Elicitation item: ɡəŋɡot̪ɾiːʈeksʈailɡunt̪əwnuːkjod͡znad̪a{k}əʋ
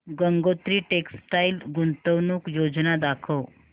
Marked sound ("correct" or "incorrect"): incorrect